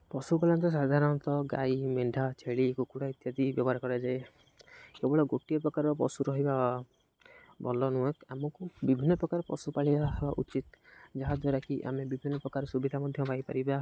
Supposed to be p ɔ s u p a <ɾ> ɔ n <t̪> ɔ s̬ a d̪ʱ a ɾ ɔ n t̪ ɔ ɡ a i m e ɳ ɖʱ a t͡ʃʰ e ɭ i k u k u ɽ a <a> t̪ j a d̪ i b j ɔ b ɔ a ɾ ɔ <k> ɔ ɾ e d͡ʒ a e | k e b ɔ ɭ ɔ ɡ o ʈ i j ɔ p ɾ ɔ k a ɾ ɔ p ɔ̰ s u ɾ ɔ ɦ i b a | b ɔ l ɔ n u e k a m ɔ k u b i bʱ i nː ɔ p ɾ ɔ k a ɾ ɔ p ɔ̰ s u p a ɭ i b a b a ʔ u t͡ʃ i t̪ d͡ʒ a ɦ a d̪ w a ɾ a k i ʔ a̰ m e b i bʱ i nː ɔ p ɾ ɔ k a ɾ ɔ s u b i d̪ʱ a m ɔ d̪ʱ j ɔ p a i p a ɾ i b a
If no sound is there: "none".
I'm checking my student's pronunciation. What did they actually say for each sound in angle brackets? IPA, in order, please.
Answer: l, t̪, i, k

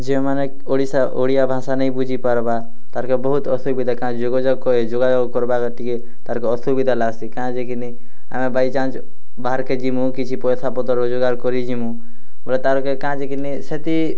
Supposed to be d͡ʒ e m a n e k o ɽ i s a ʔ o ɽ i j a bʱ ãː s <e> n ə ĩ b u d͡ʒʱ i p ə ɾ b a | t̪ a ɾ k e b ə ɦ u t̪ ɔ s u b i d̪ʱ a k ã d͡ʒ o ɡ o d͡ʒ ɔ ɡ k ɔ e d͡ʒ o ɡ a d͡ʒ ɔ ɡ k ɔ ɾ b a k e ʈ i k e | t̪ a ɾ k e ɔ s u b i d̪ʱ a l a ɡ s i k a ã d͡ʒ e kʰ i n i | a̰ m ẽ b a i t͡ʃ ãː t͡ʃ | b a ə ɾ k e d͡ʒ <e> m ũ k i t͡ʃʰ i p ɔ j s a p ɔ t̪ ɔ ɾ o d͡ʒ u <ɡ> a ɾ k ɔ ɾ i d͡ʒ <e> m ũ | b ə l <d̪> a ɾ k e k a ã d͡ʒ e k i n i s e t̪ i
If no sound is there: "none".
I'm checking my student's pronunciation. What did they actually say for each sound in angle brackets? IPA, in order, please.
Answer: a, i, ɡ, i, t̪

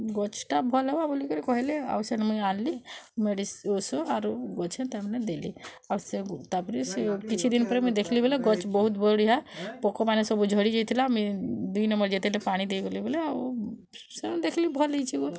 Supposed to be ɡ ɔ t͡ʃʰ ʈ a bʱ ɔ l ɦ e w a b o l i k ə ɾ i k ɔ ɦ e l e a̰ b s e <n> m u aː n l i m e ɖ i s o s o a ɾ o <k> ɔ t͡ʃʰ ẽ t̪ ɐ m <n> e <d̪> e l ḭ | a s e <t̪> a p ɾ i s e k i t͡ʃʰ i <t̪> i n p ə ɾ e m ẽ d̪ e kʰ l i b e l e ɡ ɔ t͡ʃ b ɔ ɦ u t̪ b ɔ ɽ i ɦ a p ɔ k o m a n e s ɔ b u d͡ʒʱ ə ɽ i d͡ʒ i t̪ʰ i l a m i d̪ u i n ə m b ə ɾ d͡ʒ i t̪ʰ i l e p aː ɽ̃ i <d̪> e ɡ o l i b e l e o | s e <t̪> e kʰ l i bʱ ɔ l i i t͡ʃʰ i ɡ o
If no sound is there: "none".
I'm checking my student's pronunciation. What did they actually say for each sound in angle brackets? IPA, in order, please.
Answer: n, ɡ, n, d̪, t̪, d̪, d̪, d̪

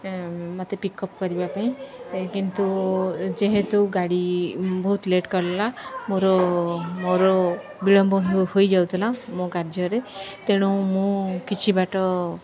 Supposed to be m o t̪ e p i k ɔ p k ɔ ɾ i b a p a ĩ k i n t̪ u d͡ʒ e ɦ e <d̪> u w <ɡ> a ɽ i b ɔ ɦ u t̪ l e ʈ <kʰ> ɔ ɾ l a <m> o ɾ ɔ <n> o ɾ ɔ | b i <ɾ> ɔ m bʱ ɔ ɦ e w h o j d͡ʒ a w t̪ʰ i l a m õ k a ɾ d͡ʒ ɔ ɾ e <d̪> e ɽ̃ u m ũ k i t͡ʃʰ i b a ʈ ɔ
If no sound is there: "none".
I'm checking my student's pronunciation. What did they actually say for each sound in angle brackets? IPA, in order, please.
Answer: t̪, ɡ, k, m, m, ɭ, t̪

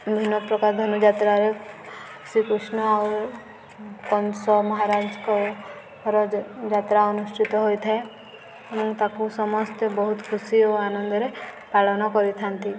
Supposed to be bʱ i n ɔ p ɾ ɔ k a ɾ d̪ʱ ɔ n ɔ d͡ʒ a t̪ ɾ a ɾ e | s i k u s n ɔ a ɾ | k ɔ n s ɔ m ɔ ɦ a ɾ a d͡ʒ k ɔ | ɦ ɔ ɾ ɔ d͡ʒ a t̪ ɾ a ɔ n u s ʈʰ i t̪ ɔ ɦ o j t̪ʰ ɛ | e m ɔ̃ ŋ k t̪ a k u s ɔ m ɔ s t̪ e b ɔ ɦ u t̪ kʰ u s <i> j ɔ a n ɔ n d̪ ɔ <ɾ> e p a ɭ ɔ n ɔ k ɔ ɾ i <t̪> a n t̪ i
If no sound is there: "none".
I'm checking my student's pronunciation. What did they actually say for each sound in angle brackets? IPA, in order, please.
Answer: i, ɾ, t̪ʰ

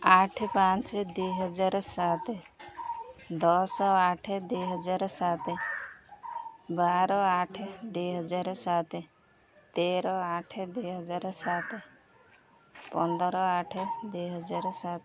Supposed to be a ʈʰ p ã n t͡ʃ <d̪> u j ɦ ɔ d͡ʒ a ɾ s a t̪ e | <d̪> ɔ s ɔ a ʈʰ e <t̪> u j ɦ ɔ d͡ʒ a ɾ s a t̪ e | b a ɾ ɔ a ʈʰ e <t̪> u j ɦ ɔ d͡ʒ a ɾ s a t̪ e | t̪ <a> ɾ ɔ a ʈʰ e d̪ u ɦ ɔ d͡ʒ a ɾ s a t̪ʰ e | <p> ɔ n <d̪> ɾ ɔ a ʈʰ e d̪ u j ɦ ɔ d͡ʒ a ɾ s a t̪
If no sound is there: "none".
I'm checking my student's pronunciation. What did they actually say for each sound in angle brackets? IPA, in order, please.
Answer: d̪, d̪, d̪, d̪, e, p, d̪

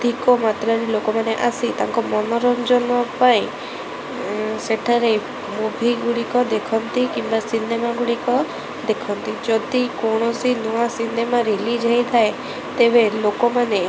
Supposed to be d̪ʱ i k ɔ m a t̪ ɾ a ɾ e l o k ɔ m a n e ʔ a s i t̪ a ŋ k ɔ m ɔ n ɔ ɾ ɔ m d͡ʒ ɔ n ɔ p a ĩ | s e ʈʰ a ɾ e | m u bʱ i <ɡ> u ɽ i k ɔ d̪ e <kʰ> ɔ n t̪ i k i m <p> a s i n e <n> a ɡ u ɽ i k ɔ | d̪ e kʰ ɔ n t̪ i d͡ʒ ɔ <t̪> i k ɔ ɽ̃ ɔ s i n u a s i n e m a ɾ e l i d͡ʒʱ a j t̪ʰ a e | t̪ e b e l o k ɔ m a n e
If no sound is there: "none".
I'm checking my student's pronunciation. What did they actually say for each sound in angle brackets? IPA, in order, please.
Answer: ɡ, kʰ, b, m, d̪

